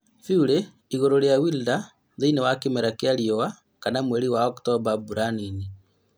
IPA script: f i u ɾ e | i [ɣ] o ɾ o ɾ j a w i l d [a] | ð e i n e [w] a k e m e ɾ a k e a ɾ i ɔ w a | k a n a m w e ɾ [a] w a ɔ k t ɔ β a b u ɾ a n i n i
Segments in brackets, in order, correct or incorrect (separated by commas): correct, correct, correct, incorrect